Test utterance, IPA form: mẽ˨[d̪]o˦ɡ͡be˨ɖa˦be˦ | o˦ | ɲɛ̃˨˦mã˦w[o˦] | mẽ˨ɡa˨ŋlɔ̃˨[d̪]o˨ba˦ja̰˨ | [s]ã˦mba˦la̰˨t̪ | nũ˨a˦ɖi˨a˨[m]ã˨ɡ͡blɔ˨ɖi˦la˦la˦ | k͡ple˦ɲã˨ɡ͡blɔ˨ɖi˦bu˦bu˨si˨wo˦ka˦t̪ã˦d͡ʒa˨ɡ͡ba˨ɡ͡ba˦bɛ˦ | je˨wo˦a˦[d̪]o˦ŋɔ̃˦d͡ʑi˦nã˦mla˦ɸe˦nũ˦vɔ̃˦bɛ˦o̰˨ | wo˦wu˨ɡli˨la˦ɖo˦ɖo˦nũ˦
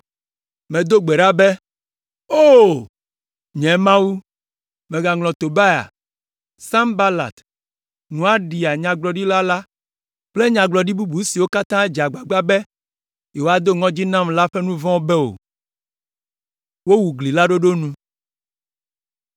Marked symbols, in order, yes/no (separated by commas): yes, no, no, yes, no, yes